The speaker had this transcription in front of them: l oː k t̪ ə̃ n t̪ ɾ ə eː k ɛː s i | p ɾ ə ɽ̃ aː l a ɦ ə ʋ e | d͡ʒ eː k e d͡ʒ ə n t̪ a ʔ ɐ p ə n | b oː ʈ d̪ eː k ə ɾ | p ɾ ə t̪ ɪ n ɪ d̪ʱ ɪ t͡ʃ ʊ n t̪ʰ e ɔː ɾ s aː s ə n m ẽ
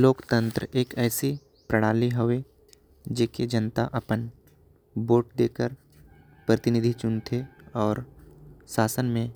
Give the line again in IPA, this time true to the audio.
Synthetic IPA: l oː k t̪ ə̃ n t̪ ɾ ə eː k ɛː s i | p ɾ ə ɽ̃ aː l i ɦ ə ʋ e | d͡ʒ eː k e d͡ʒ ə n t̪ a ʔ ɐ p ə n | b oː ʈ d̪ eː k ə ɾ | p ɾ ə t̪ ɪ n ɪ d̪ʱ i t͡ʃ ʊ n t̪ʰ e ɔː ɾ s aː s ə n m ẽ